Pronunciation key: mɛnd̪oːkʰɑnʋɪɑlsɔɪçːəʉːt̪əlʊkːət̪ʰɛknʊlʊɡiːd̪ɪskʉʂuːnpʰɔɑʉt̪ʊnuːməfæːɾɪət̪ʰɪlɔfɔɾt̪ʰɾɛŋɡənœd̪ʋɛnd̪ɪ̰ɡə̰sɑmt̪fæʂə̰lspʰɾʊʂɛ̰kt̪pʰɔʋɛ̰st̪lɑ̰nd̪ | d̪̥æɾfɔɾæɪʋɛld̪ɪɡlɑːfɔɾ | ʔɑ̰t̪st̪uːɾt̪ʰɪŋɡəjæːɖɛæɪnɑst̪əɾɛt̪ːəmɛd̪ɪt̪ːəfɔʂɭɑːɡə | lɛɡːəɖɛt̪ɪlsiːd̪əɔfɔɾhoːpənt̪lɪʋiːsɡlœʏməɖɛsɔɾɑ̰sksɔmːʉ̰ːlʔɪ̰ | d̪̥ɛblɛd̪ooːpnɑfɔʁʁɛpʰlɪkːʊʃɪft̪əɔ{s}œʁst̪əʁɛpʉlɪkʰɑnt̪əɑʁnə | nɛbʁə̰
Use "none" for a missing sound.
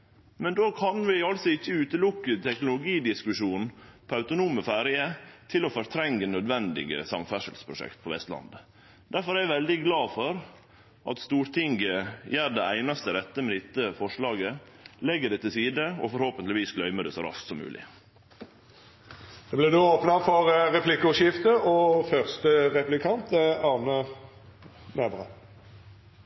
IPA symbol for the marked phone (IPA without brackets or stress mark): f